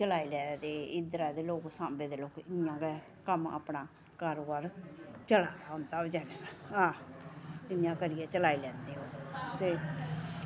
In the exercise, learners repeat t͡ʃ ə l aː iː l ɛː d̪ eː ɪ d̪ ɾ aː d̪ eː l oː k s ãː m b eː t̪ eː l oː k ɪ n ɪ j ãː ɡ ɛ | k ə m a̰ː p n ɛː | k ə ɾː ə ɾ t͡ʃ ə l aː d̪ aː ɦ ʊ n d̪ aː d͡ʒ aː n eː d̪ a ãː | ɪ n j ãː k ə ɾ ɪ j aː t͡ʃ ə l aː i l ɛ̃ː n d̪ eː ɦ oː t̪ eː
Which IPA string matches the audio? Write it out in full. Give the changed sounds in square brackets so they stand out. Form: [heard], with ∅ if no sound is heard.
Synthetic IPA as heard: t͡ʃ ə l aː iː l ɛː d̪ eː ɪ d̪ ɾ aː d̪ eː l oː k s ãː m b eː [d̪] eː l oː k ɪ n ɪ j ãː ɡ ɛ | k ə m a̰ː p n [aː] | k ə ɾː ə ɾ t͡ʃ ə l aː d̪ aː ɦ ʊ n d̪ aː d͡ʒ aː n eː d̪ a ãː | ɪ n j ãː k ə ɾ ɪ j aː t͡ʃ ə l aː i l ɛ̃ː n d̪ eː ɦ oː t̪ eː